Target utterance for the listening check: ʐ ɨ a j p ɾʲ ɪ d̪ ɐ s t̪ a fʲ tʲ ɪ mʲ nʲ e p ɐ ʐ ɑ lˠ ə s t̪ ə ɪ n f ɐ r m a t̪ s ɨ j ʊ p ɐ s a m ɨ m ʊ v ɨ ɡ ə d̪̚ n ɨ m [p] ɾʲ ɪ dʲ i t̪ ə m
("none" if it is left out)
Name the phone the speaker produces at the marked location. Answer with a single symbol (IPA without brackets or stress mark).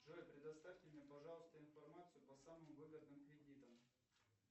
k